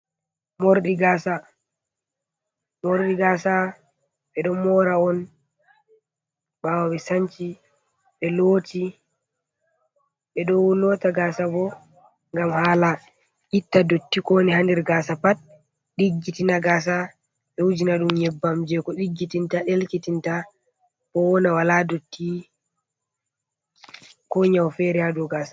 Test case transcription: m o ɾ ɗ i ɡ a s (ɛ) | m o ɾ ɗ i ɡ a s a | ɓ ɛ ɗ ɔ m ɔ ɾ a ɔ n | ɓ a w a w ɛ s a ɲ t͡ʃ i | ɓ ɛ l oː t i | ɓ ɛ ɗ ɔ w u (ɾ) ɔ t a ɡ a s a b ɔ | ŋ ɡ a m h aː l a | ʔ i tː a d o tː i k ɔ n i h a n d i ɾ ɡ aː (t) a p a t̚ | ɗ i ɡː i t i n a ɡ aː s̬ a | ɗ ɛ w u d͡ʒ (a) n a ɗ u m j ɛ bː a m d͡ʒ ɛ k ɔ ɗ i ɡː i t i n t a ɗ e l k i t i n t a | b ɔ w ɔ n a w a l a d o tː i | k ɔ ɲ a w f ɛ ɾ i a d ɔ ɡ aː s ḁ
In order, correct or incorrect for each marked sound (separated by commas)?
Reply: incorrect, incorrect, incorrect, incorrect